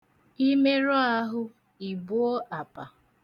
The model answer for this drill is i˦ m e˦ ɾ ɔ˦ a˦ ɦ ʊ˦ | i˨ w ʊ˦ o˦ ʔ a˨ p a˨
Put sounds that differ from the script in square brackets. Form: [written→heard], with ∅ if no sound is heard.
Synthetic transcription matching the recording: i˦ m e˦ ɾ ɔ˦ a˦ ɦ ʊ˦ | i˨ [w→b] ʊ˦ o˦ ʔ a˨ p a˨